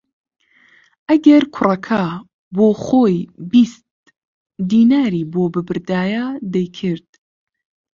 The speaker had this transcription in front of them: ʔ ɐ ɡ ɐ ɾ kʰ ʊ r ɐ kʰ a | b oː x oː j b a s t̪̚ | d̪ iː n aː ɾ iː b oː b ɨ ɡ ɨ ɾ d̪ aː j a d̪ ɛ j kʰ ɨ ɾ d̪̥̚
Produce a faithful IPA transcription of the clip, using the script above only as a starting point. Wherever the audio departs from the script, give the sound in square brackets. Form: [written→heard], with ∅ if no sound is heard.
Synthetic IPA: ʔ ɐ ɡ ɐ ɾ kʰ ʊ r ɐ kʰ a | b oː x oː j b [a→i] s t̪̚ | d̪ iː n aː ɾ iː b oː b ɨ [ɡ→b] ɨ ɾ d̪ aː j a d̪ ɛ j kʰ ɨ ɾ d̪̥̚